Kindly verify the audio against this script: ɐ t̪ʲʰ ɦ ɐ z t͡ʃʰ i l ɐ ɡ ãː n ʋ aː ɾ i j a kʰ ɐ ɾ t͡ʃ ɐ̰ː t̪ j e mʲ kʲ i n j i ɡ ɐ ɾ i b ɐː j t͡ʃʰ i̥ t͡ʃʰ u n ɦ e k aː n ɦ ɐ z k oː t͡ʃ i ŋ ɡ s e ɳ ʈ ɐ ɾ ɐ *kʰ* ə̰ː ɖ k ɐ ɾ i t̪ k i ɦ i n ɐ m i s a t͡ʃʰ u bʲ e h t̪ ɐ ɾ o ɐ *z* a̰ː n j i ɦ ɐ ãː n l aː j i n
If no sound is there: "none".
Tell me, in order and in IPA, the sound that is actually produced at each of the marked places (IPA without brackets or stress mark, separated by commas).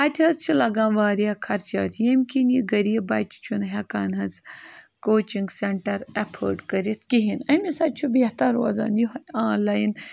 pʰ, z